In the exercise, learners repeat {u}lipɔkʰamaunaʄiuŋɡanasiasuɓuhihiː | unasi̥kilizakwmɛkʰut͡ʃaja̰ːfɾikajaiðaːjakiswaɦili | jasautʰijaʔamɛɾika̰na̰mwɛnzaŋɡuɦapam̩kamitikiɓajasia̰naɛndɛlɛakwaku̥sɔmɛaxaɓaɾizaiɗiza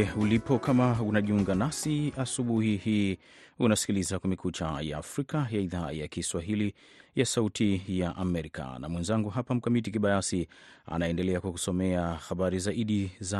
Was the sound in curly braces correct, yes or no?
yes